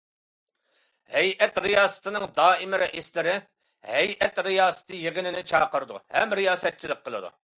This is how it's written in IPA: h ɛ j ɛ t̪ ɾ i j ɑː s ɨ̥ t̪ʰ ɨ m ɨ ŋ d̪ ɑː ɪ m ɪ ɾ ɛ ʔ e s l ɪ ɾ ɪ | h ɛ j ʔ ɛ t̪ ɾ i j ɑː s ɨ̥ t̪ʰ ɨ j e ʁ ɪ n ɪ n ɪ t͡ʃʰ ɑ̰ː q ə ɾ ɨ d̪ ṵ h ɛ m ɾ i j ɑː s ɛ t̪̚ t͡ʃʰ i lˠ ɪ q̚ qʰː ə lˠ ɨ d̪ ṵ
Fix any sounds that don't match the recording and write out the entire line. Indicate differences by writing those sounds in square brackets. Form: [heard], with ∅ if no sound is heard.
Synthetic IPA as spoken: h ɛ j ɛ t̪ ɾ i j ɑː s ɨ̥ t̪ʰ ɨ [n] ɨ ŋ d̪ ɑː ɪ m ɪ ɾ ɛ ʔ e s l ɪ ɾ ɪ | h ɛ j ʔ ɛ t̪ ɾ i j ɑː s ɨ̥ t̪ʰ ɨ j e ʁ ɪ n ɪ n ɪ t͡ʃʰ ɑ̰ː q ə ɾ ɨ d̪ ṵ h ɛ m ɾ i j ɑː s ɛ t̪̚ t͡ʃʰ i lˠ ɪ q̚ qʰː ə lˠ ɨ d̪ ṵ